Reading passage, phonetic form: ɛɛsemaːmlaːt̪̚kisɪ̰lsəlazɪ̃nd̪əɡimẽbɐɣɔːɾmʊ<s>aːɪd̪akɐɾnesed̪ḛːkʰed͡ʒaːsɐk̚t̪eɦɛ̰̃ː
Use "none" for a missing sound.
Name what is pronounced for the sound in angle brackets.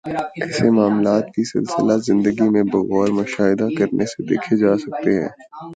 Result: ʃ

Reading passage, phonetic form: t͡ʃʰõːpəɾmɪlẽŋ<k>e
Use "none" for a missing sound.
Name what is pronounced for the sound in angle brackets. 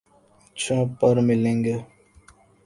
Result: ɡ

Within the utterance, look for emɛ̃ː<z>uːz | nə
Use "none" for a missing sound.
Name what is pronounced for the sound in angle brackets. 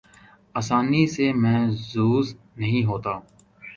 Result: z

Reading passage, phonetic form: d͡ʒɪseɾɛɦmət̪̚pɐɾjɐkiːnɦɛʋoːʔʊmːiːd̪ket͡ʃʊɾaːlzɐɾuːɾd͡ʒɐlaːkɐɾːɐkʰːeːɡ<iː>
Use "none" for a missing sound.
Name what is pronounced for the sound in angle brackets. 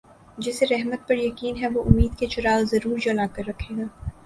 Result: aː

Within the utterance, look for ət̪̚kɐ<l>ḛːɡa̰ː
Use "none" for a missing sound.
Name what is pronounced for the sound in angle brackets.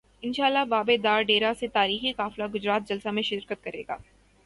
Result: ɾ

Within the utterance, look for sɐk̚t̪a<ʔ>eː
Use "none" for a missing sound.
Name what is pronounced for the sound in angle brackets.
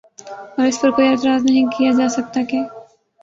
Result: k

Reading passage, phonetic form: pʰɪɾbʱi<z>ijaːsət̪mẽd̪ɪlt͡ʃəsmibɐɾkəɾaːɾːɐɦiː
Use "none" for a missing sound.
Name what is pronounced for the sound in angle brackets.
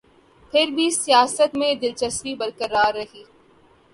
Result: s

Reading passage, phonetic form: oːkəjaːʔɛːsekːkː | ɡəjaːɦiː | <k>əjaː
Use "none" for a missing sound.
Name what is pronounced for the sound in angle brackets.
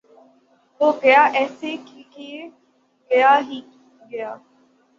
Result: ɡ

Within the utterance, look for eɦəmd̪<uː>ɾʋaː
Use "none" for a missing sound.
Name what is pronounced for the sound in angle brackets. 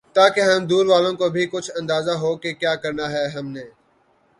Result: uː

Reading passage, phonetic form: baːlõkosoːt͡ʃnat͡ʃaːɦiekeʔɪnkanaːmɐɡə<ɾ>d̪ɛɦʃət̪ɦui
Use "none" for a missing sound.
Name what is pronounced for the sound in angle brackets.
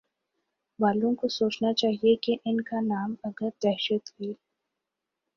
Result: ɾ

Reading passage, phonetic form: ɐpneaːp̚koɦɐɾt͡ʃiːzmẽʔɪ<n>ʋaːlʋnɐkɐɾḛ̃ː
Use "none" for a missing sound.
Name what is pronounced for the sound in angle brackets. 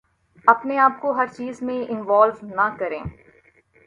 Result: n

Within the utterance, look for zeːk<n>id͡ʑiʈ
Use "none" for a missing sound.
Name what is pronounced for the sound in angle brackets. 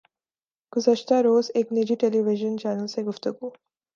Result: n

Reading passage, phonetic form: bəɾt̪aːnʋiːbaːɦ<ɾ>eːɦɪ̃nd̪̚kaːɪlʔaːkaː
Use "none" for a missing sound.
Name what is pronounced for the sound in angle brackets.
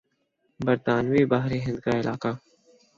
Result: ɾ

